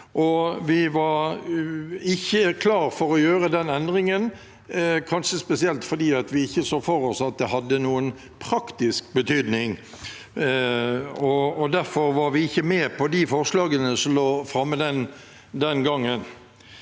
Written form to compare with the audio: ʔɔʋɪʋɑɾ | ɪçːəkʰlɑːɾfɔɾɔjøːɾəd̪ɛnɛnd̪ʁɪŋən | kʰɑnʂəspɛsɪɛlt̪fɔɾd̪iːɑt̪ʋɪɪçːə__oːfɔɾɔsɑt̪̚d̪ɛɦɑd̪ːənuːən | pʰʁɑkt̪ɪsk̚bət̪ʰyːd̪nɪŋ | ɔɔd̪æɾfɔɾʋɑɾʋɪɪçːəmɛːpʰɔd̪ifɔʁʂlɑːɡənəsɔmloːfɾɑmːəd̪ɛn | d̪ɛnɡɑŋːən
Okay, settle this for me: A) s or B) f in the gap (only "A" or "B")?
A